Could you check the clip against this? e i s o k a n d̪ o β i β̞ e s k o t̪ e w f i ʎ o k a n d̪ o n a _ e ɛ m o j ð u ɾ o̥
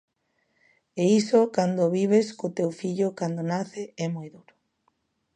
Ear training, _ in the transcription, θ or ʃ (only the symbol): θ